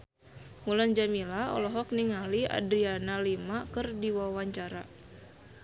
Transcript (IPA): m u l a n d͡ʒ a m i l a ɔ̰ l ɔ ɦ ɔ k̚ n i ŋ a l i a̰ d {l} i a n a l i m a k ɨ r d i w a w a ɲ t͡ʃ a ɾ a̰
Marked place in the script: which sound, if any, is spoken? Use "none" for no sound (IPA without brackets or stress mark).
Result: ɾ